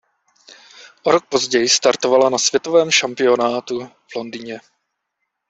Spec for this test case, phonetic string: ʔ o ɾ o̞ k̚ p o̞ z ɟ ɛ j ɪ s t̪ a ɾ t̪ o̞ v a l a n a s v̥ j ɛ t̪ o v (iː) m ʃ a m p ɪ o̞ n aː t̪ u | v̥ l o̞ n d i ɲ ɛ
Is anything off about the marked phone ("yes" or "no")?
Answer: yes